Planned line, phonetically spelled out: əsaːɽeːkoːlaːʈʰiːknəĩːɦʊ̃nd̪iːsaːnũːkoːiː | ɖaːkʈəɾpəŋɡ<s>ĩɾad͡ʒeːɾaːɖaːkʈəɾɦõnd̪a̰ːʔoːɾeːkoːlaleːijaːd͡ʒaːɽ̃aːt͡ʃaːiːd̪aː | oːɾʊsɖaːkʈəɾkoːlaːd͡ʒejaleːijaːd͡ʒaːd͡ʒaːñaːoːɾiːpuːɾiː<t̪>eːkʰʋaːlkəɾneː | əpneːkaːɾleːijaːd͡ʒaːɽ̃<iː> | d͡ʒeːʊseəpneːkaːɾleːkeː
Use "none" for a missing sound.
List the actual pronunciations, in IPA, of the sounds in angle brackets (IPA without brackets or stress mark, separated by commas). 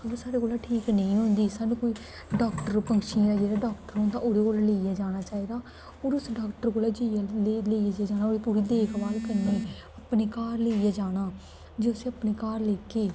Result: ʃ, d̪, aː